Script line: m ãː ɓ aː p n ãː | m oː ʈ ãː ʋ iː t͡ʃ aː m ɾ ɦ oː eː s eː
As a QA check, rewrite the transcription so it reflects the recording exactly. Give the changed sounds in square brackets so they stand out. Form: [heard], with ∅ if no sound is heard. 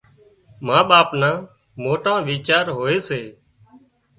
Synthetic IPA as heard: m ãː ɓ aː p n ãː | m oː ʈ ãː ʋ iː t͡ʃ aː [∅] ɾ ɦ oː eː s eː